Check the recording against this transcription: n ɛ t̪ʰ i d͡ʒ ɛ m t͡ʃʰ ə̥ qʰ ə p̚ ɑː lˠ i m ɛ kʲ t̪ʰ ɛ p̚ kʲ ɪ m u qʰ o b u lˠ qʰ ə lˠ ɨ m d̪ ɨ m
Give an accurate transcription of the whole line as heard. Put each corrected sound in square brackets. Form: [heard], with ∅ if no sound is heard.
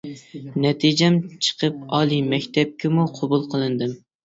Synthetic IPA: n ɛ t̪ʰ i d͡ʒ ɛ m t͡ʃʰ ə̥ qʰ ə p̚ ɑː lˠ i m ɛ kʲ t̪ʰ ɛ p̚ kʲ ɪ m u qʰ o b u lˠ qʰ ə lˠ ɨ [n] d̪ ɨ m